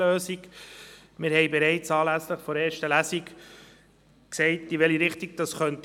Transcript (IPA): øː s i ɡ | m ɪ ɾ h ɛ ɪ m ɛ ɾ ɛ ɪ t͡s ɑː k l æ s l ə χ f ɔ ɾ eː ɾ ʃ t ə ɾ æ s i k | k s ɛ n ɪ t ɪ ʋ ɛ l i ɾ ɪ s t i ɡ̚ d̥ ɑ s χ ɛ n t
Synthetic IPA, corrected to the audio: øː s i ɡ | m ɪ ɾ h ɛ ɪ b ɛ ɾ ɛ ɪ t͡s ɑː l æ s l ə χ f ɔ ɾ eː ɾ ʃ t ə l æ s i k | k s ɛ ɪ t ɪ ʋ ɛ l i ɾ ɪ χ t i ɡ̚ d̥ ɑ s χ œ n t